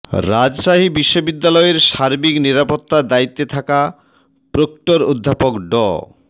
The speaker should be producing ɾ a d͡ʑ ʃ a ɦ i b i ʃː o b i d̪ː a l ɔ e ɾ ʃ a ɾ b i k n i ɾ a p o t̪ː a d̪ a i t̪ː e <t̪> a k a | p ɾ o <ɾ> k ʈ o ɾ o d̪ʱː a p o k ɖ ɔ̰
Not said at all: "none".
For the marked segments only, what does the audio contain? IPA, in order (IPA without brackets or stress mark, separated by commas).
t̪ʰ, none